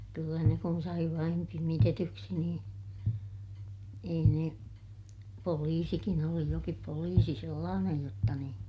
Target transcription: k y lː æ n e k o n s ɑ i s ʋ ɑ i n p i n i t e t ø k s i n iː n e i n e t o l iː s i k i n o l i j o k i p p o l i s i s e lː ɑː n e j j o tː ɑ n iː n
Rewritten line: k y lː æ n e k u n s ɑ i ʋ ɑ i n p i m i t e t y k s i n iː n e i n e p o l iː s i k i n o l i j o k i p p o l iː s i s e lː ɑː n e j j o tː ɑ n iː n

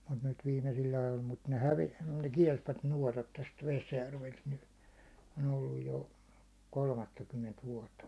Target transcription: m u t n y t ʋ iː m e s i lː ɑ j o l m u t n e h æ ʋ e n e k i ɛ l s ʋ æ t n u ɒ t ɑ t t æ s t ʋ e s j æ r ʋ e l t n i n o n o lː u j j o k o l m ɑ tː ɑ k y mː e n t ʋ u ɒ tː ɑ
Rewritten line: m u t n y t ʋ iː m e s i lː ɑ j o l m u t n e h æ ʋ e n e k i ɛ l s ʋ æ t n u ɒ t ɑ t t æ s t ʋ e s j æ r ʋ e l t n y n o n o lː u j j o k o l m ɑ tː ɑ k y mː e n t ʋ u ɒ tː ɑ

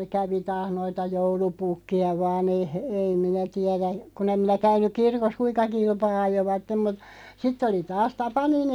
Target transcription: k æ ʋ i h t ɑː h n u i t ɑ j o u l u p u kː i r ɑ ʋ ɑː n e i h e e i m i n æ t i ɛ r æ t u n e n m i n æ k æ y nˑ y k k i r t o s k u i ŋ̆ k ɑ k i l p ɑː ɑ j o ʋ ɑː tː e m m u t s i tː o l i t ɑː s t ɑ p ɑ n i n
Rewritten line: k æ ʋ i t ɑː h n o i t ɑ j o u l u p u kː i ɑ ʋ ɑː n e i h e e i m i n æ t i ɛ r æ k u n e m m i n æ k æ y nˑ y k k i r k o s k u i ŋ̆ k ɑ k i l p ɑː ɑ j o ʋ ɑ tː e m m u t s i tː o l i t ɑː s t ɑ p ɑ n i n

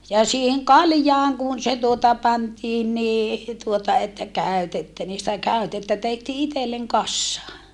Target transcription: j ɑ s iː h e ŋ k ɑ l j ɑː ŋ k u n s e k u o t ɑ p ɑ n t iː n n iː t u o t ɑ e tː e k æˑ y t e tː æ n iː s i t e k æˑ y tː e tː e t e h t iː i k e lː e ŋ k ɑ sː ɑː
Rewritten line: j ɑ s iː h e ŋ k ɑ l j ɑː ŋ k u n s e t u o t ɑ p ɑ n t iː n n iː t u o t ɑ e tː æ k æˑ y t e tː æ n iː s i t æ k æˑ y tː e tː æ t e h t iː i t e lː e ŋ k ɑ sː ɑː

